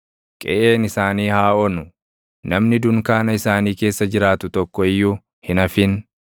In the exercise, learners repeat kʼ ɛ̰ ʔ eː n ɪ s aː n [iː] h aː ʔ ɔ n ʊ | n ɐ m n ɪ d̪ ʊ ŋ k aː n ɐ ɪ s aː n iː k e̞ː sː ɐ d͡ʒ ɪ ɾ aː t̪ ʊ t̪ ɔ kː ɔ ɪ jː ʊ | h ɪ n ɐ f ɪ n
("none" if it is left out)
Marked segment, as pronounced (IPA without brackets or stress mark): iː